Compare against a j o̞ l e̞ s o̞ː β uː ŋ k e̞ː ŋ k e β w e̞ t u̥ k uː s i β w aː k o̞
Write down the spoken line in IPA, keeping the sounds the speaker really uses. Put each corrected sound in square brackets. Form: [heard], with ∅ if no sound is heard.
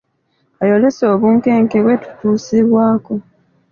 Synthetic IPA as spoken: a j o̞ l e̞ s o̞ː β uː ŋ k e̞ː ŋ k e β w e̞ t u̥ [t] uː s i β w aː k o̞

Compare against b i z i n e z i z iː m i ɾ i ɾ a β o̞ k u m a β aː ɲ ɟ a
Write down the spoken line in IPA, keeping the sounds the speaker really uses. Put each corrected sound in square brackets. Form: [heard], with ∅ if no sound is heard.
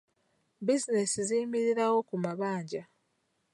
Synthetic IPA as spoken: b i z i n e [s] i z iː m i ɾ i ɾ a [w] o̞ k u m a β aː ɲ ɟ a

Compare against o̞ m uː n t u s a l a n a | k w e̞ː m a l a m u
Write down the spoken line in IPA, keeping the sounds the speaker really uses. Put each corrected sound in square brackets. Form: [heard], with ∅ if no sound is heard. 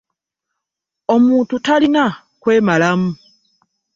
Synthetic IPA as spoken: o̞ m uː n t u [t] a l [i] n a | k w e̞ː m a l a m u

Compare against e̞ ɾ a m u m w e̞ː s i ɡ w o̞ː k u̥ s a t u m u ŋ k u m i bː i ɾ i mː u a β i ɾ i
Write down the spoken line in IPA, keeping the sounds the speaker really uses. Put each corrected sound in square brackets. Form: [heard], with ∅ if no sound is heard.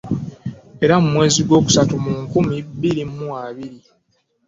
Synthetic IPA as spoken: e̞ ɾ a m u m w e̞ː [z] i ɡ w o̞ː k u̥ s a t u m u ŋ k u m i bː i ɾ i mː u a β i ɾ i

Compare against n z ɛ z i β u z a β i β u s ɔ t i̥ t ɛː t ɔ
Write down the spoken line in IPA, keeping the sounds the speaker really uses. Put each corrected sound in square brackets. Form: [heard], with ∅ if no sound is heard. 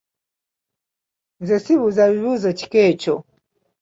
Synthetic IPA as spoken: n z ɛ [s] i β u z a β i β u [z] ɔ [t͡ʃ] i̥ [k] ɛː [t͡ʃ] ɔ

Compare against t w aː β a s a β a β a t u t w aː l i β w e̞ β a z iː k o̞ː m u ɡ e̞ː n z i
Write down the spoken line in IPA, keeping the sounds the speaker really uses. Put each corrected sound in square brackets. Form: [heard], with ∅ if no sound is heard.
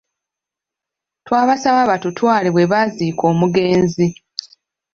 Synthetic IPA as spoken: t w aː β a s a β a β a t u t w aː l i β w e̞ β a z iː k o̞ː m u ɡ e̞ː n z i

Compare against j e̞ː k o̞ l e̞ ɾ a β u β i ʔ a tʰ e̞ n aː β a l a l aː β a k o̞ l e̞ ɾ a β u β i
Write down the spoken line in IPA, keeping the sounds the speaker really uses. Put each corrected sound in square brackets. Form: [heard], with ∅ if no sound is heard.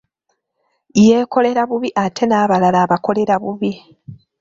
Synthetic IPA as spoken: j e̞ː k o̞ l e̞ ɾ a β u β i ʔ a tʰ e̞ n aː β a l a l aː β a k o̞ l e̞ ɾ a β u β i

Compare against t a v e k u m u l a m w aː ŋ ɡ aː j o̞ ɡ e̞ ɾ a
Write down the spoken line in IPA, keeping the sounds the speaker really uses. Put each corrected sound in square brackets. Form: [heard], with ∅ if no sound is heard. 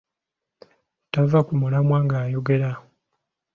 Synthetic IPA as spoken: t a v [a] k u m u l a m w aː ŋ ɡ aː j o̞ ɡ e̞ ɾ a

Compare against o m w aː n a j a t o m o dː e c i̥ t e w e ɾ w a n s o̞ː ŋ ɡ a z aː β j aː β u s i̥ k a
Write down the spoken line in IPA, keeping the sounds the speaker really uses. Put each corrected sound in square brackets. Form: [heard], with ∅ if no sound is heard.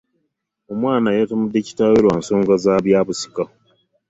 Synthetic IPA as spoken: o m w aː n a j a t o m [u] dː e c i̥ t [a] w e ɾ w a n s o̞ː ŋ ɡ a z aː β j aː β u s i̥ k a

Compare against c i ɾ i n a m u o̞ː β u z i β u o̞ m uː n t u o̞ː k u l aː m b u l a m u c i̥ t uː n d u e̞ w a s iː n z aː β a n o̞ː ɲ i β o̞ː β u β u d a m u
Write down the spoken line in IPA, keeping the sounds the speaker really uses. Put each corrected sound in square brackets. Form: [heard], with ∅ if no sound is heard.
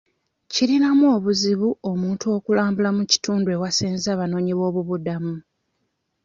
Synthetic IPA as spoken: c i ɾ i n a m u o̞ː β u z i β u o̞ m uː n t u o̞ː k u l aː m b u l a m u c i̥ t uː n d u e̞ w a s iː n z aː β a n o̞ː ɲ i β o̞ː β u β u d a m u

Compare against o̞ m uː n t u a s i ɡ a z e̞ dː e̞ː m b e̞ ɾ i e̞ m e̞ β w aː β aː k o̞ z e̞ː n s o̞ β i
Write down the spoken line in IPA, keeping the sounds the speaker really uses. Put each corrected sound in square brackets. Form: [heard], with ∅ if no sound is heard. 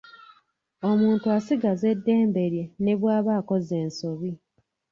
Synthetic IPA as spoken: o̞ m uː n t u a s i ɡ a z e̞ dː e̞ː m b e̞ ɾ [j] e̞ [n] e̞ β w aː β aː k o̞ z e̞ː n s o̞ β i

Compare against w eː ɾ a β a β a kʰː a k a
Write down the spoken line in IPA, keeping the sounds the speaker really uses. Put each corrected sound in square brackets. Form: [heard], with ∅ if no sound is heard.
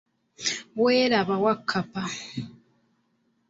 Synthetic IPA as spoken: w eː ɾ a β a [w] a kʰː a [p] a

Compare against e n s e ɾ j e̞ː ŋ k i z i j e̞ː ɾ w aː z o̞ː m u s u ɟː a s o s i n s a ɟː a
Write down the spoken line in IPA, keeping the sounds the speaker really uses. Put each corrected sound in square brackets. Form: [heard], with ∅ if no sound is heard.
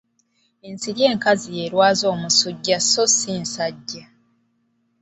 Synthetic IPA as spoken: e n s [i] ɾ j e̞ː ŋ k [a] z i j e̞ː ɾ w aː z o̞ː m u s u ɟː a s o s i n s a ɟː a

